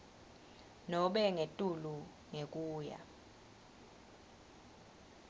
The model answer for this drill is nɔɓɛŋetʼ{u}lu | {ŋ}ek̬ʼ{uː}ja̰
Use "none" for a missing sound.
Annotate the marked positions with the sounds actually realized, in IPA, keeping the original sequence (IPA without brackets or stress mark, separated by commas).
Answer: u, ŋ, uː